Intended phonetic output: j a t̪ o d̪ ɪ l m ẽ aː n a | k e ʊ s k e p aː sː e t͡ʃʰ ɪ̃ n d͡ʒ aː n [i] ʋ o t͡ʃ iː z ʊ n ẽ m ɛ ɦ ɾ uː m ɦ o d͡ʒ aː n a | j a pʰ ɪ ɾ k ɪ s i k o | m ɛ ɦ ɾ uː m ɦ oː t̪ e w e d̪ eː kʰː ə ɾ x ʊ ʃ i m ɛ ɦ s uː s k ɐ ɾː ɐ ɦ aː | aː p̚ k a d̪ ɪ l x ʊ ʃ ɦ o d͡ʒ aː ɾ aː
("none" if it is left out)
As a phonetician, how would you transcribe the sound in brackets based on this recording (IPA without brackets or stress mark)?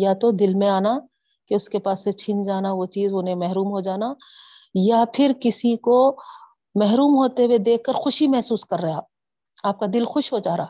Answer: a